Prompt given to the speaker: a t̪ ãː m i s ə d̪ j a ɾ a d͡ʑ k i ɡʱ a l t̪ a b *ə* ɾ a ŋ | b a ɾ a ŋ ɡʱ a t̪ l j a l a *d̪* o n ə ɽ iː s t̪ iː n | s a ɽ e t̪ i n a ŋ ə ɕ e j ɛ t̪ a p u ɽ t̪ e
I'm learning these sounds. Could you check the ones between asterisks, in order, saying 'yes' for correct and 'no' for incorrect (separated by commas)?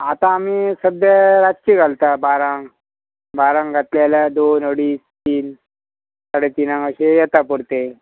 no, yes